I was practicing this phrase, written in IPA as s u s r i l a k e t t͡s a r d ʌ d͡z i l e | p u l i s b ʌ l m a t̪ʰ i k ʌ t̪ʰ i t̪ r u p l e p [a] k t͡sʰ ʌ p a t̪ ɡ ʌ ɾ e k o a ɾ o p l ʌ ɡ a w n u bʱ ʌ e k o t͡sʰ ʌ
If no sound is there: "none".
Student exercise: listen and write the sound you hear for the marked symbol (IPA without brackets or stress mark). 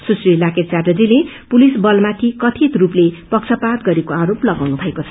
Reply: ʌ